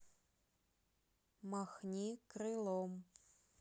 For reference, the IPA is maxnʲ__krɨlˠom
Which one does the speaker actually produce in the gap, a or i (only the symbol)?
i